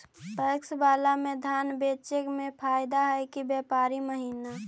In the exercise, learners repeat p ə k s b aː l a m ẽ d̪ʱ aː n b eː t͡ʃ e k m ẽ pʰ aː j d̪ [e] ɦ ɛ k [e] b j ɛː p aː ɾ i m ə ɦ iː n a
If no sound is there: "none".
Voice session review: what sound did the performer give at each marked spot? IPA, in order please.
a, i

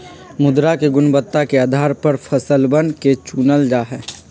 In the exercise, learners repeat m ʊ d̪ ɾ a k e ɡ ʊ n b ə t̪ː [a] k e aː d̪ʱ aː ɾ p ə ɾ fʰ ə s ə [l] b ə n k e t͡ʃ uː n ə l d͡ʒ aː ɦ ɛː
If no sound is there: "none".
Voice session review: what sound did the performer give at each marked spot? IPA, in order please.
a, l

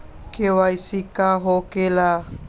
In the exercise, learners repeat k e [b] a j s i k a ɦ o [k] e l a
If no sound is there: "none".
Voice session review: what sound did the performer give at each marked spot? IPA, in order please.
w, k

